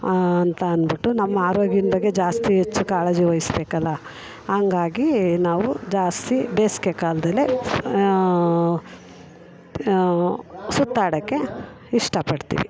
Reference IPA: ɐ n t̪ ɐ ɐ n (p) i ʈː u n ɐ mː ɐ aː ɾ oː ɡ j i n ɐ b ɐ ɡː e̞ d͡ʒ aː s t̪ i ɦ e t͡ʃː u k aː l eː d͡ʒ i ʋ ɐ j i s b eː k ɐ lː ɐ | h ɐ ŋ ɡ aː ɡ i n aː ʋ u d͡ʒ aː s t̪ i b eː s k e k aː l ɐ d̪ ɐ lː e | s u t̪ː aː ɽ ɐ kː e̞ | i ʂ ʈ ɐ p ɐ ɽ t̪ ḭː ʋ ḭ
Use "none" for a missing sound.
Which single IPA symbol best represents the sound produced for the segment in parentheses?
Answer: b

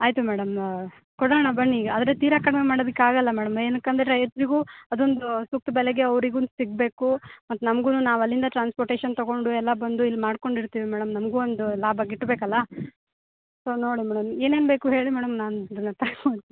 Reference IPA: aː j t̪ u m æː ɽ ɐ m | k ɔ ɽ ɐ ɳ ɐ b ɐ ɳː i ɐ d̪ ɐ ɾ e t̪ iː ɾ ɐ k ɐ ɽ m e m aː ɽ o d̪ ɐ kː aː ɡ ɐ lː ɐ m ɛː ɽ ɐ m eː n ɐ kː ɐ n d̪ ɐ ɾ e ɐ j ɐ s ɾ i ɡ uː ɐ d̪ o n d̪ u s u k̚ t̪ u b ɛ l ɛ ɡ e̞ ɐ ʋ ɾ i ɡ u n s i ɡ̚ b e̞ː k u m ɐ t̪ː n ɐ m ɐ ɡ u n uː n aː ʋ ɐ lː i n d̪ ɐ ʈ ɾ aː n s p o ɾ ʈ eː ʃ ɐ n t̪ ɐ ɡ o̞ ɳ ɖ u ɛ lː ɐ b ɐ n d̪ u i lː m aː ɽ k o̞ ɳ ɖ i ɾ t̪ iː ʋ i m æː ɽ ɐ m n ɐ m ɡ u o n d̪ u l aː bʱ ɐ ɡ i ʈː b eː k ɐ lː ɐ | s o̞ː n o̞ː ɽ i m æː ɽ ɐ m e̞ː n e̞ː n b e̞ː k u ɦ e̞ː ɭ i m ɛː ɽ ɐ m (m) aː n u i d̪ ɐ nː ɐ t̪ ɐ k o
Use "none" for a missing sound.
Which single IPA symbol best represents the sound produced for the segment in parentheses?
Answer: n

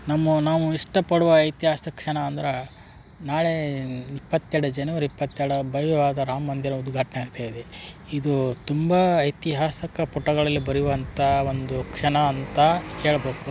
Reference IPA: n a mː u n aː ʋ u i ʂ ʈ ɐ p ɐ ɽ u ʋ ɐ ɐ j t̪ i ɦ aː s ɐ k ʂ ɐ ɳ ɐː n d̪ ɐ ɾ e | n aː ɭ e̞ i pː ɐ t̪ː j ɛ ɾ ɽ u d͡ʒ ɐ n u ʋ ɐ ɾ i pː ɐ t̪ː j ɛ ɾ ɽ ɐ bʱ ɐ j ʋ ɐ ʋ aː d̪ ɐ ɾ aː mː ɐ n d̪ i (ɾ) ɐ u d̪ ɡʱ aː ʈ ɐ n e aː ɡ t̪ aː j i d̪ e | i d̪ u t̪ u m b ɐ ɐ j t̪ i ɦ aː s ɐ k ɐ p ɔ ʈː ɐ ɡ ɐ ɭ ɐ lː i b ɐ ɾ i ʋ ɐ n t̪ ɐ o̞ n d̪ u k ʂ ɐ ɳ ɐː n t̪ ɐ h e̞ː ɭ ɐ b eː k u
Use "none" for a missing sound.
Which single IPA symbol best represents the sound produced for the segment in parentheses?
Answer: ɾ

